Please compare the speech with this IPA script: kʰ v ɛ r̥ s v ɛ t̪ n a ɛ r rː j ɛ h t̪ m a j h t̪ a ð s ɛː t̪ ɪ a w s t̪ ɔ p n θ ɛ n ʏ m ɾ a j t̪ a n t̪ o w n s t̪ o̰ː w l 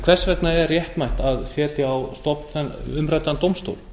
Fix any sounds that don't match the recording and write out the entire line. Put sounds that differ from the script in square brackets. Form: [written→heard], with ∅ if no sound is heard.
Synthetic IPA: kʰ v ɛ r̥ s v ɛ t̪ n a ɛ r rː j ɛ h t̪ m a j h t̪ a ð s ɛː t̪ ɪ a w s t̪ ɔ p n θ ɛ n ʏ m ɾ a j t̪ a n t̪ o w [n→m] s t̪ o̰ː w l